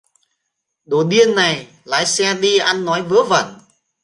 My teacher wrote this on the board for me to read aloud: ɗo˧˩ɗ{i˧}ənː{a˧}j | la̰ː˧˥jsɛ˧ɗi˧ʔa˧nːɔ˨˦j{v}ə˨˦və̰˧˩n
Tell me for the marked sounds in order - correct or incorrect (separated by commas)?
correct, incorrect, correct